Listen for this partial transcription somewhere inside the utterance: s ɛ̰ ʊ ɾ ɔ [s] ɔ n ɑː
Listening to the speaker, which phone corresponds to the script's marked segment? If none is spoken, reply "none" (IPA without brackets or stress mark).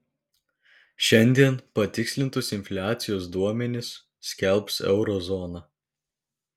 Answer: z